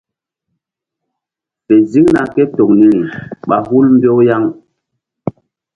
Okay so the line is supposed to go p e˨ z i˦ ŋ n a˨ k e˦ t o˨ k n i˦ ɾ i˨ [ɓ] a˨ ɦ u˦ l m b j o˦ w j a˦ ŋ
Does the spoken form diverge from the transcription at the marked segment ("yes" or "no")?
no